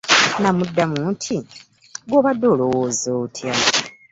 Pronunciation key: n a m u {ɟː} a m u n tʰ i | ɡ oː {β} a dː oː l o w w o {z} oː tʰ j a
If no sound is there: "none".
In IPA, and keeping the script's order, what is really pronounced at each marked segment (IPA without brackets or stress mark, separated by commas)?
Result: dː, β, z